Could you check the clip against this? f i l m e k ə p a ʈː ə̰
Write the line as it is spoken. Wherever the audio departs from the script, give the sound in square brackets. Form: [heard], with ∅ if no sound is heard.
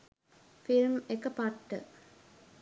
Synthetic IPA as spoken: f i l m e k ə p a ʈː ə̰

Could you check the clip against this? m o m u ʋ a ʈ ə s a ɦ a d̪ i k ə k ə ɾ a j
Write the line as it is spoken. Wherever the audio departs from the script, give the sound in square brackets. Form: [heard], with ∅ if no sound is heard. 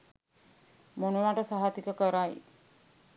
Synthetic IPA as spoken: m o [n] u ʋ a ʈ ə s a ɦ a [t̪] i k ə k ə ɾ a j

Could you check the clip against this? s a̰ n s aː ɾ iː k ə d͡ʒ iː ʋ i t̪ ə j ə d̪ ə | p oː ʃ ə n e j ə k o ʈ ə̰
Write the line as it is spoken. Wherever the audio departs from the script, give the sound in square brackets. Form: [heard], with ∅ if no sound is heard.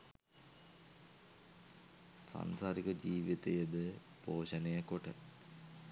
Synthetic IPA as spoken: s a̰ n s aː ɾ [i] k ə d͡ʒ iː ʋ i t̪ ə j ə d̪ ə | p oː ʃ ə n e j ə k o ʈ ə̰

